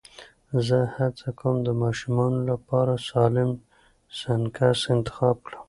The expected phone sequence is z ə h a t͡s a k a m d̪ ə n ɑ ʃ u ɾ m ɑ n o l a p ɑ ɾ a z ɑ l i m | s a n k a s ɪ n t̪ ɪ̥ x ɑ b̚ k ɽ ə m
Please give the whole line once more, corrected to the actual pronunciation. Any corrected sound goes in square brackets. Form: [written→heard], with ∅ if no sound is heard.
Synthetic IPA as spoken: z ə h a t͡s a k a m d̪ ə [n→m] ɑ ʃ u [ɾ→∅] m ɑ n o l a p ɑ ɾ a [z→s] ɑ l [i→ɪ] m | s a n k a s ɪ n t̪ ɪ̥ x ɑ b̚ k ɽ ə m